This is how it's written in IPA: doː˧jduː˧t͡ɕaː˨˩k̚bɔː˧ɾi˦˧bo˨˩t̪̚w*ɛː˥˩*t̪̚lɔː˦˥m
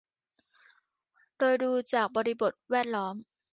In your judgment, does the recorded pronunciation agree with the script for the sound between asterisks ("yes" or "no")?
yes